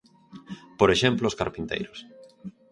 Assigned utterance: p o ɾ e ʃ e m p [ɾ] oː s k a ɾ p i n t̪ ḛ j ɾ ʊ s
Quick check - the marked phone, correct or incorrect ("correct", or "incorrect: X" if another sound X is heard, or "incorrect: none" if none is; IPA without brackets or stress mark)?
incorrect: l